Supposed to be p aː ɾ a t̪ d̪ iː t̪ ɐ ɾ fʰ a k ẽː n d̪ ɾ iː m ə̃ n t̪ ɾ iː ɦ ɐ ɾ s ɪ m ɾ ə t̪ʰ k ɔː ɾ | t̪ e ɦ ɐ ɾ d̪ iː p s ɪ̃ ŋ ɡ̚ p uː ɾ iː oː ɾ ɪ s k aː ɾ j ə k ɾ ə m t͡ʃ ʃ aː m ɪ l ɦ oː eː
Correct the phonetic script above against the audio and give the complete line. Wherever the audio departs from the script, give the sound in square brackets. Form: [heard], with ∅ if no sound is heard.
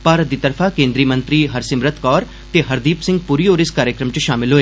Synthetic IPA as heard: p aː ɾ [ə] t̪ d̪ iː t̪ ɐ ɾ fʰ a k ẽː n d̪ ɾ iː m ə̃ n t̪ ɾ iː ɦ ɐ ɾ s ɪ m ɾ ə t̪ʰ k ɔː ɾ | t̪ e ɦ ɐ ɾ d̪ iː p s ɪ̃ ŋ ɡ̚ p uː ɾ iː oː ɾ ɪ s k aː ɾ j ə k ɾ ə m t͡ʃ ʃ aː m ɪ l ɦ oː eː